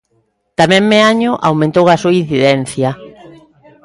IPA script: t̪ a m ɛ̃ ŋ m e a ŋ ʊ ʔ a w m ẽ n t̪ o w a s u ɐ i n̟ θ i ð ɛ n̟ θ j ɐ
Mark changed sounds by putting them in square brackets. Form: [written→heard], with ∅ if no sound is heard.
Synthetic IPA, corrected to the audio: t̪ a m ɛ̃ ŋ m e a [ŋ→ɲ] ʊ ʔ a w m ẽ n t̪ o w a s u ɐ i n̟ θ i ð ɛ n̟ θ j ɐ